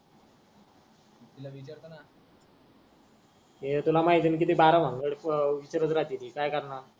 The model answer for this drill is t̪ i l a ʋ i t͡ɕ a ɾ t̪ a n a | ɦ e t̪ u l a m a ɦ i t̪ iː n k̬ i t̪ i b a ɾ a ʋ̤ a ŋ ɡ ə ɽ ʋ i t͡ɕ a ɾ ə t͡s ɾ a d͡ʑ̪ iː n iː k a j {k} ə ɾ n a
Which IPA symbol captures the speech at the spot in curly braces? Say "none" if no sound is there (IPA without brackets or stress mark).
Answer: k